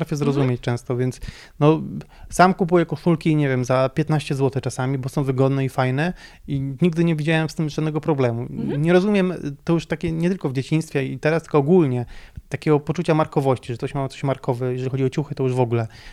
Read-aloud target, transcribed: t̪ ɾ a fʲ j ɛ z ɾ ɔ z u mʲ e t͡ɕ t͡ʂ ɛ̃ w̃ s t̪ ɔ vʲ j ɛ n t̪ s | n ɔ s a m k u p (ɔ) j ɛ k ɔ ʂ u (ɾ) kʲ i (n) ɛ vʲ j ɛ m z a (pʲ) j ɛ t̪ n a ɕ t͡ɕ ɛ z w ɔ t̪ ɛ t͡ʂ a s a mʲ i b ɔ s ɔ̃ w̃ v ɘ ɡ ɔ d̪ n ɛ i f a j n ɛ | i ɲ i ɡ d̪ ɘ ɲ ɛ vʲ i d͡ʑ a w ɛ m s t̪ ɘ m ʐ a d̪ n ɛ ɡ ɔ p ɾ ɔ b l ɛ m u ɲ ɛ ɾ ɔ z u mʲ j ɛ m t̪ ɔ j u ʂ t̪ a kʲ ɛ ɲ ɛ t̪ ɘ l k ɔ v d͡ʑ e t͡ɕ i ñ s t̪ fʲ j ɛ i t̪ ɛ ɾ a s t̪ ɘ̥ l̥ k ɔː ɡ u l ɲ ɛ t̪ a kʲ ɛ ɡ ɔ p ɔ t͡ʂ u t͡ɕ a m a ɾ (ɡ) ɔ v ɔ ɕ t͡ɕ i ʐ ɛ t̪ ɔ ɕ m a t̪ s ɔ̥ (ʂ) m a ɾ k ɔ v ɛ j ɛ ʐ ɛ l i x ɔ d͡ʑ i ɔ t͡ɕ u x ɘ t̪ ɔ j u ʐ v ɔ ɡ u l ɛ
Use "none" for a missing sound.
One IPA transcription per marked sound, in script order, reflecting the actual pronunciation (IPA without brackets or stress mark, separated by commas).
u, l, ɲ, pʲ, k, ɕ